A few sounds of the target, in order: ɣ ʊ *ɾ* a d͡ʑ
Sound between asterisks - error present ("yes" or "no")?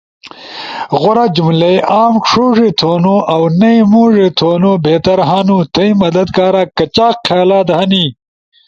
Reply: no